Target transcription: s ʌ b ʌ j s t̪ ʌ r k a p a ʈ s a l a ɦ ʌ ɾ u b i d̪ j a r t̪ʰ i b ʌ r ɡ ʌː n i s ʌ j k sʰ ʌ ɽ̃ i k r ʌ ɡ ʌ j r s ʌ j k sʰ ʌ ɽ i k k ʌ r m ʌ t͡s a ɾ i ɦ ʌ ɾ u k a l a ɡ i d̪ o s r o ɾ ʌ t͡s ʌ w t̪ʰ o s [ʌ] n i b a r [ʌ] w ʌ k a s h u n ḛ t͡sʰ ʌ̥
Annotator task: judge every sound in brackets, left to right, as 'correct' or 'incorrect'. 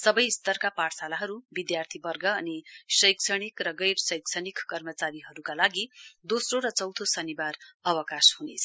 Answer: correct, correct

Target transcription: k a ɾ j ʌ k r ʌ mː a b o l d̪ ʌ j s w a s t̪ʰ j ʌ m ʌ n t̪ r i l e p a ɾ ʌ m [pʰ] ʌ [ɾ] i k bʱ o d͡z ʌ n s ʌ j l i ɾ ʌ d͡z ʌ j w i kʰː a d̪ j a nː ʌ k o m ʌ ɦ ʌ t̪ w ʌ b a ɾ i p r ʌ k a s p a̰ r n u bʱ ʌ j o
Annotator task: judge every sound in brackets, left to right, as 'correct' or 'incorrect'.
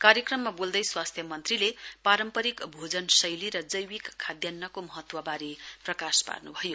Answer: incorrect, correct

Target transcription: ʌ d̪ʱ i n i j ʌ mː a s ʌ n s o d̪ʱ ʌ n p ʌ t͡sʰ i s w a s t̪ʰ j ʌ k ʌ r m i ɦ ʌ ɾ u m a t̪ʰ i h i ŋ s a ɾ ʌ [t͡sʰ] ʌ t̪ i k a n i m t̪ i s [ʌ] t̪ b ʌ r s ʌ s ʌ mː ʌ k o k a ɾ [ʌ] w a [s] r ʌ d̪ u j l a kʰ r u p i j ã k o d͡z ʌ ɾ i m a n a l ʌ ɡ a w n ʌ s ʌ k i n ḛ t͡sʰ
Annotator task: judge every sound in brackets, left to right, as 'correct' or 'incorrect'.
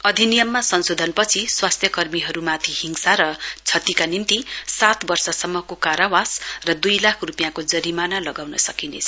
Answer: correct, incorrect, incorrect, correct

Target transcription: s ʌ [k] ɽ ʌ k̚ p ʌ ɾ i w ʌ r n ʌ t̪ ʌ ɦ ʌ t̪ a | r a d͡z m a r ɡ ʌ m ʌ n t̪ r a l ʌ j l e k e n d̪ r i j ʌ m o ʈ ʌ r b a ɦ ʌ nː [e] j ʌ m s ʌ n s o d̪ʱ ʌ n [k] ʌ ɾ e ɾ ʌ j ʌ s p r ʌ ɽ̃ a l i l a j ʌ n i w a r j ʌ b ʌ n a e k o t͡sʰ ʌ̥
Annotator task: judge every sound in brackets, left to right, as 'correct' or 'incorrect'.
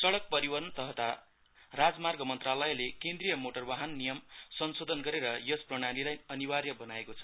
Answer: incorrect, incorrect, incorrect

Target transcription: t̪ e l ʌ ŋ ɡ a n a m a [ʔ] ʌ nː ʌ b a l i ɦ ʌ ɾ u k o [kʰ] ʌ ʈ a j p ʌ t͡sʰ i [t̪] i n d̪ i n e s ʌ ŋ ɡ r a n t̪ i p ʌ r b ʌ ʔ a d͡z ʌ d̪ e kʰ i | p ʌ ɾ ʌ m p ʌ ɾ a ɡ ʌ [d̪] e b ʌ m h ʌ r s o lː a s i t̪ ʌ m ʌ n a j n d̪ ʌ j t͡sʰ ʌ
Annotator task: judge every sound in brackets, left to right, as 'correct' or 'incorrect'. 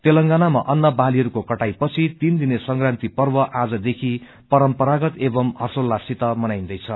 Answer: correct, incorrect, correct, incorrect

